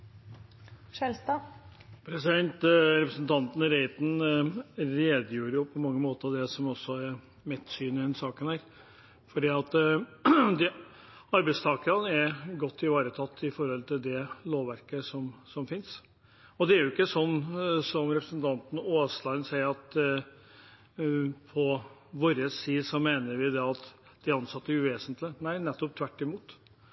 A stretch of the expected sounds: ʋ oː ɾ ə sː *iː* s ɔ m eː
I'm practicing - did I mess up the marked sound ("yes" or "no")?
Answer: no